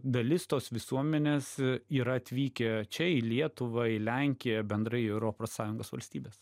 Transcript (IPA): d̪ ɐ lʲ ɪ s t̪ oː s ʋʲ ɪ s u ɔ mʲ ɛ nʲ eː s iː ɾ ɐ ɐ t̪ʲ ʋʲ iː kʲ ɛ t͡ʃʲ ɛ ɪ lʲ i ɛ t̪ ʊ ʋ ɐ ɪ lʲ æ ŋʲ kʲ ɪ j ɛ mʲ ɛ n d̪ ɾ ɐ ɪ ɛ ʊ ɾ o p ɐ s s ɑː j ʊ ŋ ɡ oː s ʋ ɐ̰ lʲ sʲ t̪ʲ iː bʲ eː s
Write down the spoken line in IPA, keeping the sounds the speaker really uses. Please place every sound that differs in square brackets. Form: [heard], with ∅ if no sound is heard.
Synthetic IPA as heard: d̪ ɐ lʲ ɪ s t̪ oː s ʋʲ ɪ s u ɔ mʲ ɛ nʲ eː s iː ɾ ɐ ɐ t̪ʲ ʋʲ iː kʲ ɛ t͡ʃʲ ɛ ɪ lʲ i ɛ t̪ ʊ ʋ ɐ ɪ lʲ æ ŋʲ kʲ ɪ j ɛ [bʲ] ɛ n d̪ ɾ ɐ ɪ ɛ ʊ ɾ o p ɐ s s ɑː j ʊ ŋ ɡ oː s ʋ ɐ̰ lʲ sʲ t̪ʲ iː bʲ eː s